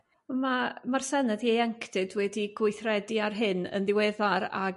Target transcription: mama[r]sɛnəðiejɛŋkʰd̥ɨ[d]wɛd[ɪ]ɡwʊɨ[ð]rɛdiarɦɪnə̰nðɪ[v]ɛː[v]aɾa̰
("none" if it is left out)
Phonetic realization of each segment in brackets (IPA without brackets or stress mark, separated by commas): r, d, i, θ, w, ð